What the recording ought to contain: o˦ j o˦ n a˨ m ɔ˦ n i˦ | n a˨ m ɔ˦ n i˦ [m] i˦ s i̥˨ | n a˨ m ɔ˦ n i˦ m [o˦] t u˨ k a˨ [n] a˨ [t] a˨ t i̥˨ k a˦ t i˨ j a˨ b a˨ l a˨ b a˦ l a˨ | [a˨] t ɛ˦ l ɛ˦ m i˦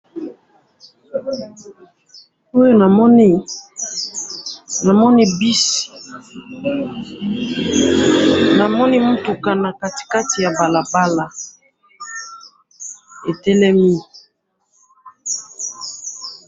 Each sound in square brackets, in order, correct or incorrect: incorrect, incorrect, correct, incorrect, incorrect

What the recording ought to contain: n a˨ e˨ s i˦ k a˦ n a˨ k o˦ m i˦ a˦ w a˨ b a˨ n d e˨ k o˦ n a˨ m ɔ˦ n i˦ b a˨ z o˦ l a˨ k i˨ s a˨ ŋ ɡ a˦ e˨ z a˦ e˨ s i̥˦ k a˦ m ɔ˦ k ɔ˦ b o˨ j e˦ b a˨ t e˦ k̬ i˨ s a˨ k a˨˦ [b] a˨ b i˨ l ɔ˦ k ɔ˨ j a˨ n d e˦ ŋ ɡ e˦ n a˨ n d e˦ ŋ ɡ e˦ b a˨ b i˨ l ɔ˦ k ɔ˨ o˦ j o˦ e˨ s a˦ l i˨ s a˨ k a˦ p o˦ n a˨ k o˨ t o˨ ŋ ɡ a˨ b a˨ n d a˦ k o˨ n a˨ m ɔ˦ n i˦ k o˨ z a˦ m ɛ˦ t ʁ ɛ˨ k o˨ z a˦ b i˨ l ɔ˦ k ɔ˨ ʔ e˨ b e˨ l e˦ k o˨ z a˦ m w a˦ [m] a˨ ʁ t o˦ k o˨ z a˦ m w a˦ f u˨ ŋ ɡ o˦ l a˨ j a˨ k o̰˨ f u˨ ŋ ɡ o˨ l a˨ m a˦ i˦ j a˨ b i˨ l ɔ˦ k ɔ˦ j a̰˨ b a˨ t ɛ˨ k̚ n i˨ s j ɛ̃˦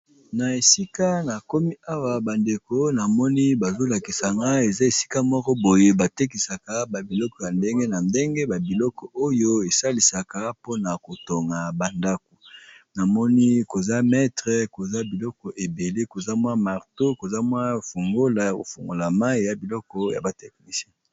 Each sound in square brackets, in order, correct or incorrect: correct, correct

